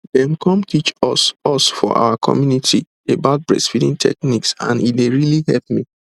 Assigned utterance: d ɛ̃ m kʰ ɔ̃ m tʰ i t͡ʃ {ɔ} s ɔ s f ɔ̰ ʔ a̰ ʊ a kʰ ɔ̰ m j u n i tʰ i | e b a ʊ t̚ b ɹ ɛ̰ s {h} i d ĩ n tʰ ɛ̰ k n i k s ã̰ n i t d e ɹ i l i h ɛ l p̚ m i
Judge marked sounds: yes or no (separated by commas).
yes, no